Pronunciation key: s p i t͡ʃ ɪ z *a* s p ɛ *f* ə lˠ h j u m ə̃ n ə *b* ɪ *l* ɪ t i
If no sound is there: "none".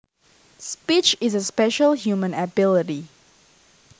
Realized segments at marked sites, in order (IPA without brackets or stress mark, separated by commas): ə, ʃ, b, l